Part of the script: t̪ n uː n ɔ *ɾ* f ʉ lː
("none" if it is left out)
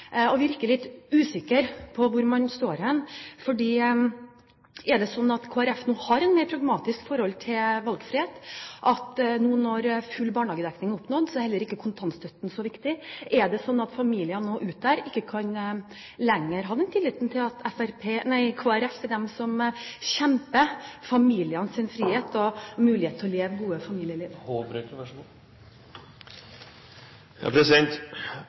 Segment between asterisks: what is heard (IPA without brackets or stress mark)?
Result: ɾ